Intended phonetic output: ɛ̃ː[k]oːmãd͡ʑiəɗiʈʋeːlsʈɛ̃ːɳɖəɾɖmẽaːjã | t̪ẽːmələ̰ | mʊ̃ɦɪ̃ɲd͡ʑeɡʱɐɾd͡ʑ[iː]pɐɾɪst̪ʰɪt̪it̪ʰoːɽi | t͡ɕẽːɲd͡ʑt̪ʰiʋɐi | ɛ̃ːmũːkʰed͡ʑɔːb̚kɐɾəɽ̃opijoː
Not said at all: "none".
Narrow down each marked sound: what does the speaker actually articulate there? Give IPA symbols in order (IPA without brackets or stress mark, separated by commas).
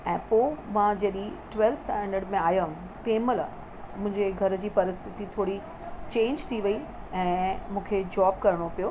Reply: p, iː